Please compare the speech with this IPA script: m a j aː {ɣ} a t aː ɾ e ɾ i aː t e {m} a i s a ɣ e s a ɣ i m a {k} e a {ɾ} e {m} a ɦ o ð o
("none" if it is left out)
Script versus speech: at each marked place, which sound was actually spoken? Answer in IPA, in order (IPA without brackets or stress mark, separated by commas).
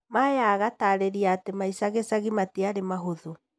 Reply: ɣ, m, t, ɾ, m